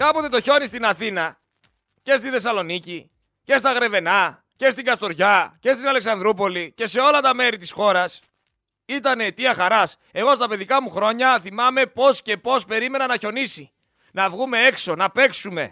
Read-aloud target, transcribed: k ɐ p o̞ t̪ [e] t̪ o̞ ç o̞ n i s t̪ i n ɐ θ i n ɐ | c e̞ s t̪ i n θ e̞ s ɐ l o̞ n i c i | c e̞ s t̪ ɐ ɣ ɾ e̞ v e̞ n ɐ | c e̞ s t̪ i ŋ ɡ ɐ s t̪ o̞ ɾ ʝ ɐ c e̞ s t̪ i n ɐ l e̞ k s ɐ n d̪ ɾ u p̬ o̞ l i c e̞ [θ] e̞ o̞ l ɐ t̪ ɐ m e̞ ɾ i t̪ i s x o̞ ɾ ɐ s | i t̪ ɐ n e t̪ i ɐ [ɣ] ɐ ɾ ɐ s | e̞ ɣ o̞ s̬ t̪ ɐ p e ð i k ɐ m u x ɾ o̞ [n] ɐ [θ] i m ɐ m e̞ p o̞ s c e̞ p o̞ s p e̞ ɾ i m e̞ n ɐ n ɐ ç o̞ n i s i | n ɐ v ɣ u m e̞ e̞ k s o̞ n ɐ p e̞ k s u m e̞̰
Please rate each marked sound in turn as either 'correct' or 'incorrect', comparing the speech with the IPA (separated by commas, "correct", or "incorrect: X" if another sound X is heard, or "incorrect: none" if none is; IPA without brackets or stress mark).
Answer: correct, incorrect: s, incorrect: x, incorrect: ɲ, correct